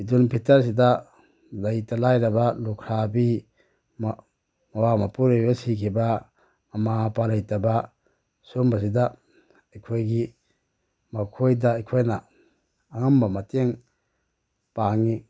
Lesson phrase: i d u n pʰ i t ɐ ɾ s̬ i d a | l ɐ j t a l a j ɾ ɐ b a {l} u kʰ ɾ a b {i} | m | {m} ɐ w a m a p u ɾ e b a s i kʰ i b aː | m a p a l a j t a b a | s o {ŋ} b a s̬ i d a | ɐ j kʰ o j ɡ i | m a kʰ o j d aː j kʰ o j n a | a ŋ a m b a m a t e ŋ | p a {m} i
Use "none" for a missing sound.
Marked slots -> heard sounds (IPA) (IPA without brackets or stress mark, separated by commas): l, i, m, m, ŋ